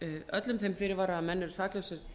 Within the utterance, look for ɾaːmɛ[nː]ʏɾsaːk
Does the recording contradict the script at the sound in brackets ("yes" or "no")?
no